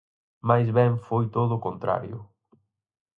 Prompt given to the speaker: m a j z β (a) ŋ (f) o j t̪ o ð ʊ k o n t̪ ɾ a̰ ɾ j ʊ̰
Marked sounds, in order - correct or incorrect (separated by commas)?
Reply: incorrect, correct